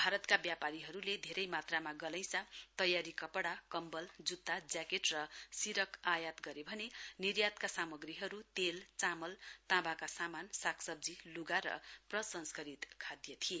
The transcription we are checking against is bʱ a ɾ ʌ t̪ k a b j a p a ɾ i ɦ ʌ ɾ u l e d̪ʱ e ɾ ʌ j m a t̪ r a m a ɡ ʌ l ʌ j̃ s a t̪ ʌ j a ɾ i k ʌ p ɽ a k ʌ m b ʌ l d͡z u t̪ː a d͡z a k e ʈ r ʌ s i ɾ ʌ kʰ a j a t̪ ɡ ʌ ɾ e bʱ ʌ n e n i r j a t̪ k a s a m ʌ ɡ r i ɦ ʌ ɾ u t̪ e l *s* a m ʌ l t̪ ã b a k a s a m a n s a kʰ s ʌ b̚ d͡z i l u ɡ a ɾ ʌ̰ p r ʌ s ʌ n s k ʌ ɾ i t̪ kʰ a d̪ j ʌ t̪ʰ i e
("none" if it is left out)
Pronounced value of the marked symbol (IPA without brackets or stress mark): t͡s